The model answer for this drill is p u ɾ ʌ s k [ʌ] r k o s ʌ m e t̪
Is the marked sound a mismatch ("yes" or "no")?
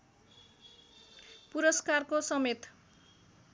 yes